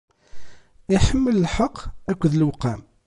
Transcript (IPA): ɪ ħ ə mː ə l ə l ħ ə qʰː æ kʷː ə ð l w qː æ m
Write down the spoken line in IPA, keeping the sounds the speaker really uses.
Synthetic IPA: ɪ ħ ə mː ə l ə l ħ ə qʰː æ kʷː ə ð l w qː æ m